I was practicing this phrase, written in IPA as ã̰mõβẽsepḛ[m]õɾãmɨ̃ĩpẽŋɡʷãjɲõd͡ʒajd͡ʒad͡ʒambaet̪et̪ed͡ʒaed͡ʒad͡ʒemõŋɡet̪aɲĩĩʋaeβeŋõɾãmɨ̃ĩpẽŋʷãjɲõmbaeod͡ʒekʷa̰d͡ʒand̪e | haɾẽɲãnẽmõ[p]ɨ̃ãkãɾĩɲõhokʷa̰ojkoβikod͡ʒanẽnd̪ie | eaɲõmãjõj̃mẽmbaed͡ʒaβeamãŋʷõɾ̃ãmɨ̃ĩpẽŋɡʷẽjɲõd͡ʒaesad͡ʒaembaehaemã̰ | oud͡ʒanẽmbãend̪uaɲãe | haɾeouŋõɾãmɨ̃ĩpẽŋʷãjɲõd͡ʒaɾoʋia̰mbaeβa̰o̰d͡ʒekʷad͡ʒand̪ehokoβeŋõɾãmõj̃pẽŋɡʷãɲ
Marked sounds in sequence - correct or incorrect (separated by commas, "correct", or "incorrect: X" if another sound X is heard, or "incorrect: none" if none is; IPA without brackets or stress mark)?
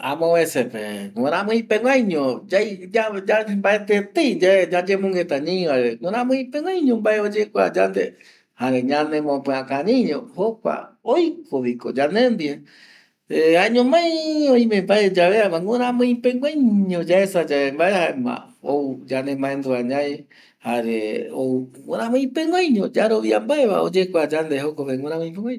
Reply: incorrect: ŋ, correct